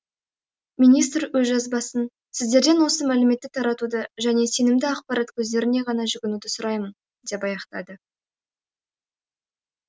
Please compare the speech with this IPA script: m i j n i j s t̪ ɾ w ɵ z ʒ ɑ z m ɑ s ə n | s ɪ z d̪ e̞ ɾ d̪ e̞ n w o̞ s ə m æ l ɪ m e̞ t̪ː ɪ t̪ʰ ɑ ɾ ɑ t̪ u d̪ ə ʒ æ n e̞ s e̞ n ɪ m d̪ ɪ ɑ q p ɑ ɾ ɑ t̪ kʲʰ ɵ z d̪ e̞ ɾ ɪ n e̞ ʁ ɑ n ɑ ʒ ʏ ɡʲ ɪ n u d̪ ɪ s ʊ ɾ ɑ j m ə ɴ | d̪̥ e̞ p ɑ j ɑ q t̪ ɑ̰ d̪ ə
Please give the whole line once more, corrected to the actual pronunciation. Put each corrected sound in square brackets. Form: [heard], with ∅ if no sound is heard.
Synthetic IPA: m i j n i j s t̪ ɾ w ɵ z ʒ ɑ z [b] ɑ s ə n | s ɪ z d̪ e̞ ɾ d̪ e̞ n w o̞ s ə m æ l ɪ m e̞ t̪ː ɪ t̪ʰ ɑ ɾ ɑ t̪ u d̪ ə ʒ æ n e̞ s e̞ n ɪ m d̪ ɪ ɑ q p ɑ ɾ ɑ t̪ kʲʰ ɵ z d̪ e̞ ɾ ɪ n e̞ ʁ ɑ n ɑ ʒ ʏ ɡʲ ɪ n u d̪ ɪ s ʊ ɾ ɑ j m ə [n] | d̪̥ e̞ p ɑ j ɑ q t̪ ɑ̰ d̪ ə